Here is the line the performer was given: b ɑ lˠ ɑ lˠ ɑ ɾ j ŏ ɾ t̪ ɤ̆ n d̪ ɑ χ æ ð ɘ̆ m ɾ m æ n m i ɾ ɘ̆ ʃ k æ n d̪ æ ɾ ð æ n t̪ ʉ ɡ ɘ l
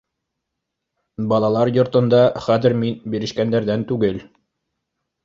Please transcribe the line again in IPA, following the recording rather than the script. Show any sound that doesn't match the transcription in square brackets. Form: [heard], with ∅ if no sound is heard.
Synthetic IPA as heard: b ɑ lˠ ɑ lˠ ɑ ɾ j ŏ ɾ t̪ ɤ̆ n d̪ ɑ χ æ ð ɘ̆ [∅] ɾ m [i] n [b] i ɾ ɘ̆ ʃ k æ n d̪ æ ɾ ð æ n t̪ ʉ ɡ ɘ l